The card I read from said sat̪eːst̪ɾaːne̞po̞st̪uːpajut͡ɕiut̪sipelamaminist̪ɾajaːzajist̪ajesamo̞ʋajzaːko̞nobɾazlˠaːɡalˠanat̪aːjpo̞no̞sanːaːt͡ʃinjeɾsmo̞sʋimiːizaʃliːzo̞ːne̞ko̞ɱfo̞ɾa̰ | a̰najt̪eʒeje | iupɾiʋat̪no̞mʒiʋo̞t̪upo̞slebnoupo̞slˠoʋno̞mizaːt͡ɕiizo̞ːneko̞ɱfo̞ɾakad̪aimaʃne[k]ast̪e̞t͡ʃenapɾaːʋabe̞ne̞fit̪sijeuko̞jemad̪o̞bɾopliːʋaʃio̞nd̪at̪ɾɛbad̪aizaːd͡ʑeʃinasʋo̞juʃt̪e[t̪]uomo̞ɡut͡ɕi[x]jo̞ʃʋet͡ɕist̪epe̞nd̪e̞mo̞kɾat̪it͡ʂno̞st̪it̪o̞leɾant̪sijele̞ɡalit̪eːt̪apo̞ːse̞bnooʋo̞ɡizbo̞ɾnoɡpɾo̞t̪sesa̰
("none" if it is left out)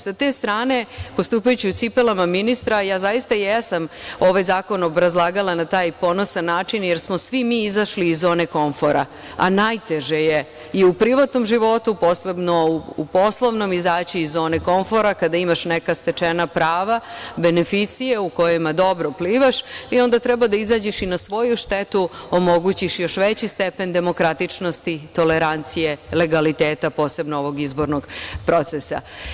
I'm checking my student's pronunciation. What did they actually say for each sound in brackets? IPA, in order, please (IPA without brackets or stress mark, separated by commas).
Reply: k, t̪, ʃ